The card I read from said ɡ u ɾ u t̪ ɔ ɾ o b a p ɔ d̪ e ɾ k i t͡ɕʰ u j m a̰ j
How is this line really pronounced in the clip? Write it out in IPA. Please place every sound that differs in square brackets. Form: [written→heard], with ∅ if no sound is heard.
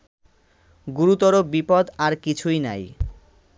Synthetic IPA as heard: ɡ u ɾ u t̪ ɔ ɾ o b [a→i] p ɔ d̪ [e→a] ɾ k i t͡ɕʰ u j [m→n] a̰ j